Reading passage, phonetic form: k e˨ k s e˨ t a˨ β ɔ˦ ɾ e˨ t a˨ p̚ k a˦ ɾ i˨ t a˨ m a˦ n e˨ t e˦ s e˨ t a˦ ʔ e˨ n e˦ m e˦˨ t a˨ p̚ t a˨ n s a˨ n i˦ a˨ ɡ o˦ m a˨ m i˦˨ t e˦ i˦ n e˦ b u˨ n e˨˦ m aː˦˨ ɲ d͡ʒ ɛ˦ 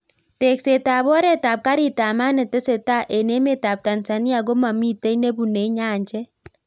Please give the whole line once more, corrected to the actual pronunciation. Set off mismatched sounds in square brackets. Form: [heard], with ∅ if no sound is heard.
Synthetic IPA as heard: [t] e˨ k s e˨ t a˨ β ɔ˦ ɾ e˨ t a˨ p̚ k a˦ ɾ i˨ t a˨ m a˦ n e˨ t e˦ s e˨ t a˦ ʔ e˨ n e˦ m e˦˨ t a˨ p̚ t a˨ n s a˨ n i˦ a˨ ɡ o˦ m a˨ m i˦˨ t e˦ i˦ n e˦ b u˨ n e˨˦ [ɲ] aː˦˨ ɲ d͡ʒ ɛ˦